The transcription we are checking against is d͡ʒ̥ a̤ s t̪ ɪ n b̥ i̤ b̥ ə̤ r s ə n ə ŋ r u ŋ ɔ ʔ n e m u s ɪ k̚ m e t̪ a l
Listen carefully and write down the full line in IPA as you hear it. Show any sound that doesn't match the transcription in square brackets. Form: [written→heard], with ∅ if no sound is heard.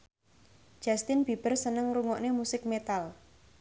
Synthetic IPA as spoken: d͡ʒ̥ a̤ s t̪ ɪ n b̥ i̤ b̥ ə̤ r s ə n ə ŋ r u ŋ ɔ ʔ n e m u s ɪ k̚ m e t̪ a l